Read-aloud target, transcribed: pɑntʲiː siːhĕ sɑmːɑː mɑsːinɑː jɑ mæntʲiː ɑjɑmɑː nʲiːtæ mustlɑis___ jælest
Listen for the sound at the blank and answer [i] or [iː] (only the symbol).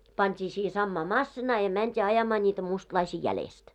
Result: iː